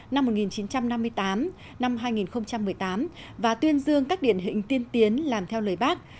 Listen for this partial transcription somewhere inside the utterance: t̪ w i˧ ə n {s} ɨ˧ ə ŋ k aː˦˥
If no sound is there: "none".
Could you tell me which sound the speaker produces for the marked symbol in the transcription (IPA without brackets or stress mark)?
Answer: z